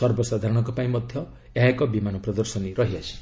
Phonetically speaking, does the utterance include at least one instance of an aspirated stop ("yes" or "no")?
no